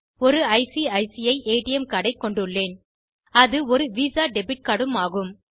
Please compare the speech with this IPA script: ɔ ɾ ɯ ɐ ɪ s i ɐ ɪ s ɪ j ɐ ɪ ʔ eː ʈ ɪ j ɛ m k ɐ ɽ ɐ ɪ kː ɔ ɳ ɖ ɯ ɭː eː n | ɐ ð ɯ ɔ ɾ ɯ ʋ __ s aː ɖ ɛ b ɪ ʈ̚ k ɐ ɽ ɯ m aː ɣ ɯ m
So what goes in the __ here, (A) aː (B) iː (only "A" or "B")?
B